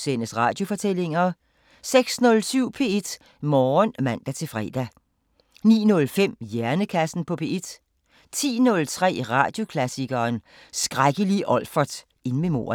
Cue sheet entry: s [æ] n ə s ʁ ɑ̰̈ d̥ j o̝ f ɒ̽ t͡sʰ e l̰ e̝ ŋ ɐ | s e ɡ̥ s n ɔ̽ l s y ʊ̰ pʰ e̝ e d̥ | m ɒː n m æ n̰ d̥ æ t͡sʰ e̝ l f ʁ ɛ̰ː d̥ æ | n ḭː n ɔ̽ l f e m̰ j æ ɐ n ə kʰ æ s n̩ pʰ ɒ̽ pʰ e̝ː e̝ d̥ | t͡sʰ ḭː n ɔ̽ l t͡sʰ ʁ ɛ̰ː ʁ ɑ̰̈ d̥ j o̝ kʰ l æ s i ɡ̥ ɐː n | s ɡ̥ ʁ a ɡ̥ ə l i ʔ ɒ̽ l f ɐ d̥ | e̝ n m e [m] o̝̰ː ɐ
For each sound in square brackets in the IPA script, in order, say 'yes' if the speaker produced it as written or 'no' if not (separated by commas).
no, yes